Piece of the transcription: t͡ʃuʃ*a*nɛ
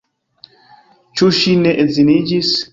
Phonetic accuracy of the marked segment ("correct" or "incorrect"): incorrect